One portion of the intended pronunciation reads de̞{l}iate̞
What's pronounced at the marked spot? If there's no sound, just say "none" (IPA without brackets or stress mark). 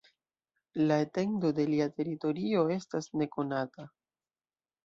l